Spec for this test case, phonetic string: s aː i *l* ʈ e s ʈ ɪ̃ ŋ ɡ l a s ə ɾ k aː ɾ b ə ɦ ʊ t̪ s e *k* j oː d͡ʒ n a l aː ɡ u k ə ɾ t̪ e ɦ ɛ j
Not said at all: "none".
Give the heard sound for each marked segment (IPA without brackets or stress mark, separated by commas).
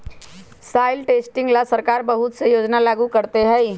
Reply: l, none